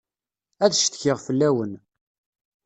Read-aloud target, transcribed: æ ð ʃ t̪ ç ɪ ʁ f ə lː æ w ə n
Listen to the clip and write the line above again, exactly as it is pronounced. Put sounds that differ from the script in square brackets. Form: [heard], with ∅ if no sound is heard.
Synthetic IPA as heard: æ ð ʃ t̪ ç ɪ ʁ f ə lː æ w ə n